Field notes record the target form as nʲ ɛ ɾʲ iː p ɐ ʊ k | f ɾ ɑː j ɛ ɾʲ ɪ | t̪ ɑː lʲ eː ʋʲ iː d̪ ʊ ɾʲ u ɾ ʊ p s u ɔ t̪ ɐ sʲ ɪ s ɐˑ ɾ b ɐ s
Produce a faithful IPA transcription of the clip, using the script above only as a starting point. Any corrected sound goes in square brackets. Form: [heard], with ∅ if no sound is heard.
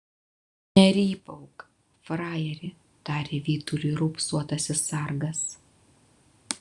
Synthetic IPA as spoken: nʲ ɛ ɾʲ iː p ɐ ʊ k | f ɾ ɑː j ɛ ɾʲ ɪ | t̪ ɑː [ɾʲ] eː ʋʲ iː [t̪] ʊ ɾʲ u ɾ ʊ p s u ɔ t̪ ɐ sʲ ɪ s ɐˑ ɾ [ɡ] ɐ s